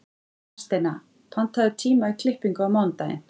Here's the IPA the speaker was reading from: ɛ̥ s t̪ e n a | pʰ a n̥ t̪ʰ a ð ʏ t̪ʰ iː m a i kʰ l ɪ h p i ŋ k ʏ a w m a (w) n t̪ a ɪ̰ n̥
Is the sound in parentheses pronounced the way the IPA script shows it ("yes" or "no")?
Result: yes